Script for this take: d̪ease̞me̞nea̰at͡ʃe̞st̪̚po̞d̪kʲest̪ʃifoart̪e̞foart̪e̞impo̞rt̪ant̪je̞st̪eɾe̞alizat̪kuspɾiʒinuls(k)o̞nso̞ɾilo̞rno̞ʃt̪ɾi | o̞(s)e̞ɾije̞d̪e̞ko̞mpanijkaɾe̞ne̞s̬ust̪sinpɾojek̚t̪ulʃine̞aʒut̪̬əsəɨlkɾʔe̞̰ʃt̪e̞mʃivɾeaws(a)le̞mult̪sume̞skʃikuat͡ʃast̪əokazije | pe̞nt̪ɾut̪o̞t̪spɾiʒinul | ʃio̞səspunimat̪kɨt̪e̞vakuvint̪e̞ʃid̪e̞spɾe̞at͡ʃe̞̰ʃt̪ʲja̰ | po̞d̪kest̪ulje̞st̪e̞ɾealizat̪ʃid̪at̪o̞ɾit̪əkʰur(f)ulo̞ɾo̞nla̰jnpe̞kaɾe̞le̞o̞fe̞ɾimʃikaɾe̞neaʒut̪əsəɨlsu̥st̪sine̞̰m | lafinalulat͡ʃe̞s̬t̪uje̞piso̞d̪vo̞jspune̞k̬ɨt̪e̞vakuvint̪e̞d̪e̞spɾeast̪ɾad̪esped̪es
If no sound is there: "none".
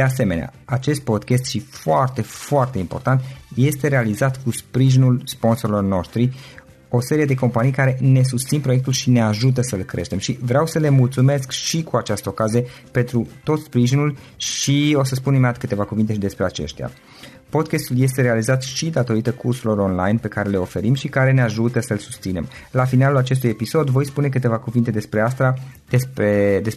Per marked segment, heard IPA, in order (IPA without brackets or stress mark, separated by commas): p, s, ə, s